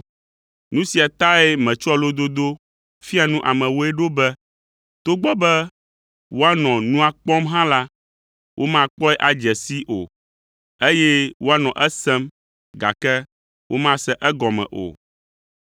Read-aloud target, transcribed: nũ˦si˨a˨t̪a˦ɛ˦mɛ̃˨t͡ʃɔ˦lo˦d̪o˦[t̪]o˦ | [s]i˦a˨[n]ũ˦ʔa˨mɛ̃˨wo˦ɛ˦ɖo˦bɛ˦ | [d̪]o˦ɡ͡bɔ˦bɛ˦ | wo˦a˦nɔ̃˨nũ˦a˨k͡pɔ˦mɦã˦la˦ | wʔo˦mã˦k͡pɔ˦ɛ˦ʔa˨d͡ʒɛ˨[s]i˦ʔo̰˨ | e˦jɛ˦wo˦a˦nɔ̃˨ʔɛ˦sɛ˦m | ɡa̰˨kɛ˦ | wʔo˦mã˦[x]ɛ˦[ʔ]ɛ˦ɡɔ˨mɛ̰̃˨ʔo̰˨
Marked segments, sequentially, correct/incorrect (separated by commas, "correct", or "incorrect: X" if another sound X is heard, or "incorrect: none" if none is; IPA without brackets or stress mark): incorrect: d̪, incorrect: f, correct, incorrect: t̪, correct, incorrect: s, correct